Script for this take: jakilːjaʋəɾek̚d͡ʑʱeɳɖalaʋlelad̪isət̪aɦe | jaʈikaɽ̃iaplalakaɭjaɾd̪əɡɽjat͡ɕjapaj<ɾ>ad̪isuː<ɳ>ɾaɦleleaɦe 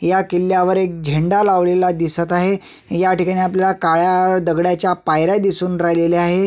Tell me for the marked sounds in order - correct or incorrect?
correct, incorrect

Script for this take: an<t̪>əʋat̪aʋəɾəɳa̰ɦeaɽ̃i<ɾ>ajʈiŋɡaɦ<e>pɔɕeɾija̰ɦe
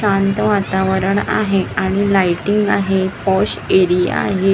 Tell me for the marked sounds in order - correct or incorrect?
correct, incorrect, correct

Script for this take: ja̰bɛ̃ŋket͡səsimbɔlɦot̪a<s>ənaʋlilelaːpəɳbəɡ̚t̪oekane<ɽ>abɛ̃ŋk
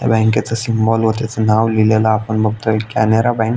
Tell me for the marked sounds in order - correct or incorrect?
incorrect, incorrect

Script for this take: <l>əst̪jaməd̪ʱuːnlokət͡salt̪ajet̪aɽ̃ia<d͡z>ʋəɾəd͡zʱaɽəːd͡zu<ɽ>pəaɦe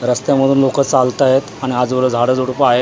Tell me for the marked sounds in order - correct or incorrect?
incorrect, correct, correct

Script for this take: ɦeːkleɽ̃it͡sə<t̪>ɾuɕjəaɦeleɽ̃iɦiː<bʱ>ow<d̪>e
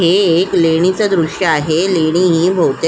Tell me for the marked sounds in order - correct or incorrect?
incorrect, correct, incorrect

